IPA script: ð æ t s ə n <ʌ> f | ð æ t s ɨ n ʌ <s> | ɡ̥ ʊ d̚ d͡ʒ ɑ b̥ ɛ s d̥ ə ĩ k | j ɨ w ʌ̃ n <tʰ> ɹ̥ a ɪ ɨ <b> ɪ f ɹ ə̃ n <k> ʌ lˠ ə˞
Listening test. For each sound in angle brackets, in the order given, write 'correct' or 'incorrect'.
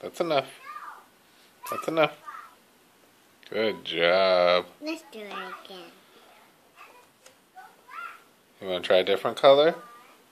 correct, incorrect, correct, incorrect, incorrect

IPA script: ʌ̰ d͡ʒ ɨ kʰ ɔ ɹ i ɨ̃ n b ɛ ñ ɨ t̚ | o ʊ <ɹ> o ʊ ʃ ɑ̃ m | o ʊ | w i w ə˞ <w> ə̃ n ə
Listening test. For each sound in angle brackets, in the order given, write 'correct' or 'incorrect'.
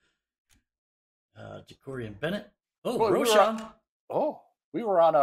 correct, incorrect

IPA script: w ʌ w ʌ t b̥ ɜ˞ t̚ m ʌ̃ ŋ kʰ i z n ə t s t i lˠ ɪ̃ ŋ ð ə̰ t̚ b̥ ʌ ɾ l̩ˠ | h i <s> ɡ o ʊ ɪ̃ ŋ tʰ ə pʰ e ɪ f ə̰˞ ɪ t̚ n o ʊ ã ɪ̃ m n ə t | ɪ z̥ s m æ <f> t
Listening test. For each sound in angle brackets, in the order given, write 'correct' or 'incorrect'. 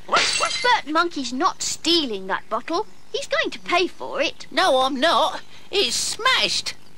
incorrect, incorrect

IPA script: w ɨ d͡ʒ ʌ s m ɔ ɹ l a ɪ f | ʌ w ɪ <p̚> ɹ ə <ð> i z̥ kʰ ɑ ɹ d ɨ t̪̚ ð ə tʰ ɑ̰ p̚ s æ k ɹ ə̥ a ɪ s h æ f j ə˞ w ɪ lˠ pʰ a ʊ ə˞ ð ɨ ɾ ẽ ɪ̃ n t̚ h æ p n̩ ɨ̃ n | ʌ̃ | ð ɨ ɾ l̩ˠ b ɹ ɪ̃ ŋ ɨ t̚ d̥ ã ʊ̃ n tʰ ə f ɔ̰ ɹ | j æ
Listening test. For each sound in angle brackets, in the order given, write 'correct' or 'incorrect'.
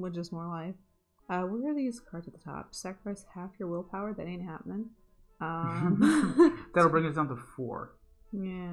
incorrect, correct

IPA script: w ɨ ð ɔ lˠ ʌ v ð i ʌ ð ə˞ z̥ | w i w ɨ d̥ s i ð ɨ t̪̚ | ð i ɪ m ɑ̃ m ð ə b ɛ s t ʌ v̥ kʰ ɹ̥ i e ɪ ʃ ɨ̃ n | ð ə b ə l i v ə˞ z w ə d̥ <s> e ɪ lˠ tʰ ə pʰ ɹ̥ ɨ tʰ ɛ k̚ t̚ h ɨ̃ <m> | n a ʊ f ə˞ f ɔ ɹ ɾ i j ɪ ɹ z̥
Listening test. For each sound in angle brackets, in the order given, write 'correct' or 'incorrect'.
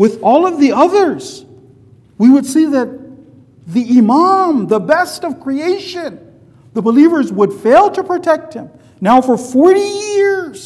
incorrect, correct

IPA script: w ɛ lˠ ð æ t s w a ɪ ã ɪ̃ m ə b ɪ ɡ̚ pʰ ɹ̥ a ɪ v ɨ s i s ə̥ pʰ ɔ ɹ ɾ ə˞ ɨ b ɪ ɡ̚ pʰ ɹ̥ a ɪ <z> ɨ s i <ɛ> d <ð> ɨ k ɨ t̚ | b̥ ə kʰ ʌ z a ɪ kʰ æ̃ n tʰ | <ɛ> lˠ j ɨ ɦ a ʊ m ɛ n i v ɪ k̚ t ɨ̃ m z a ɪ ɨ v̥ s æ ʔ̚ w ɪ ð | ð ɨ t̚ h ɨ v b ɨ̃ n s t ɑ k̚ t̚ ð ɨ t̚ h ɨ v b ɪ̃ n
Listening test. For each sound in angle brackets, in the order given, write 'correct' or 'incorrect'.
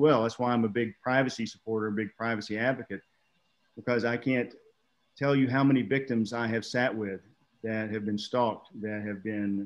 incorrect, incorrect, incorrect, correct

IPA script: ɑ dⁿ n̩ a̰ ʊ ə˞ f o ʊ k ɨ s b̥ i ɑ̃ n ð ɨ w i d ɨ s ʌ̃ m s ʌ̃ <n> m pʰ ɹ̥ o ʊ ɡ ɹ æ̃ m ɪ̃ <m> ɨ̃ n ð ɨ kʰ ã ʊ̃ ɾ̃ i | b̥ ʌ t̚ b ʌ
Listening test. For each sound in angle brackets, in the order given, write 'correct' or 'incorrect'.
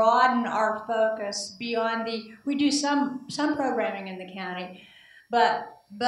incorrect, incorrect

